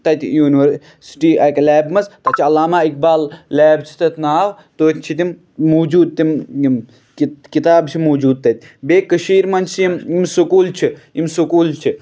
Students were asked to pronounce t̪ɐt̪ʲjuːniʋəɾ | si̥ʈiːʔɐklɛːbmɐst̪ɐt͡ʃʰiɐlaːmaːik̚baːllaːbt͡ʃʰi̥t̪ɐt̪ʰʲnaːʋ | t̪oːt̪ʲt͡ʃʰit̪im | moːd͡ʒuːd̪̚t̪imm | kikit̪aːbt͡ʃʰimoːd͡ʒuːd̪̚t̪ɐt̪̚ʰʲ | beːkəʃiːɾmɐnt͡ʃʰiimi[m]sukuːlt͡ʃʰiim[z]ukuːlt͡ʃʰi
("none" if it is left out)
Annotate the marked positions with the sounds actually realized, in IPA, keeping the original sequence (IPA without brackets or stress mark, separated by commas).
m, s